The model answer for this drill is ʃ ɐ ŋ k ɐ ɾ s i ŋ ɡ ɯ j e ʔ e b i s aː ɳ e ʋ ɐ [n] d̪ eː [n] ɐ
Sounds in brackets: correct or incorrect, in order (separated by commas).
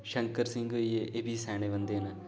correct, correct